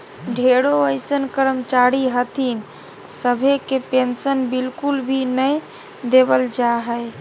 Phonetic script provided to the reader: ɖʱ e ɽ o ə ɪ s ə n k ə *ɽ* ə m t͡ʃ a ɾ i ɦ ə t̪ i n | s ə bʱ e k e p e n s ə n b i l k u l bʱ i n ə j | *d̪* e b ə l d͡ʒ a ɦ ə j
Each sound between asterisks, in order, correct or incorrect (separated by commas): incorrect, correct